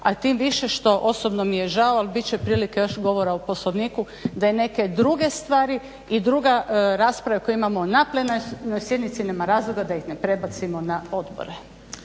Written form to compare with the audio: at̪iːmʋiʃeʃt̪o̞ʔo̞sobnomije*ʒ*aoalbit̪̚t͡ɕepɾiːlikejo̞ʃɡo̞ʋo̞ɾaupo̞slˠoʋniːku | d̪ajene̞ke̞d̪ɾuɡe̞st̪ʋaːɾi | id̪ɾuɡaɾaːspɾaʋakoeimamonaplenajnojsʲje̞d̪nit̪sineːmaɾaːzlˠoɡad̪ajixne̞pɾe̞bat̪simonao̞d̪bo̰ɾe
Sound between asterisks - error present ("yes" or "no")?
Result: no